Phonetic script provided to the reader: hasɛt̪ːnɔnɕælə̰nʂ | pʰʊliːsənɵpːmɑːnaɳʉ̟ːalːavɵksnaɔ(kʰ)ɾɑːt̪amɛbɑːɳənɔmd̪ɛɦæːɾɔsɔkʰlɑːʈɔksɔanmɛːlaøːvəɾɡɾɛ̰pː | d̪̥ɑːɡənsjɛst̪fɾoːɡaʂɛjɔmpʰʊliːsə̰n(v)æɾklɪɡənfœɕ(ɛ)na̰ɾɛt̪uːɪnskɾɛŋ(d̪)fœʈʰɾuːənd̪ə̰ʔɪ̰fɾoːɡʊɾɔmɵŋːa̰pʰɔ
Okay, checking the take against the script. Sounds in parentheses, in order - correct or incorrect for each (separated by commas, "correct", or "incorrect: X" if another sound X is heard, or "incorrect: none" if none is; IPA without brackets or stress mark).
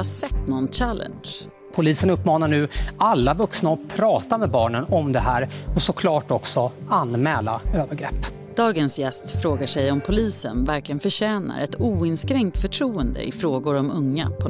incorrect: pʰ, correct, incorrect: ɛː, incorrect: t̪